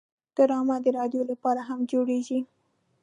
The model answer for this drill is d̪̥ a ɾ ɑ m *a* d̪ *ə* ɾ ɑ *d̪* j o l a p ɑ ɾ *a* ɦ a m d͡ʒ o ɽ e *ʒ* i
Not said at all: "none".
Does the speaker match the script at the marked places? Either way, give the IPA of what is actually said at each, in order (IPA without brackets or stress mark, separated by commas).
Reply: a, ə, d̪, a, ʒ